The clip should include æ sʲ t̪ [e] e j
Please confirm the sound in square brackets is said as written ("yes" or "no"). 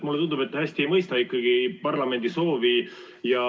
no